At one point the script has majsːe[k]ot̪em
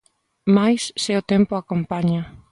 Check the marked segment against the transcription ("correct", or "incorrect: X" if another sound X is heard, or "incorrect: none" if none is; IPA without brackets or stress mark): incorrect: none